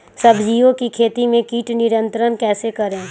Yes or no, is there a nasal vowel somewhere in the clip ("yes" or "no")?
yes